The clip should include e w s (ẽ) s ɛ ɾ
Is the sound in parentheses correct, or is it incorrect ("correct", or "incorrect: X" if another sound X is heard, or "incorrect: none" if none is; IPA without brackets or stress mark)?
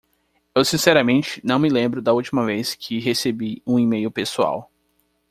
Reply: incorrect: ĩ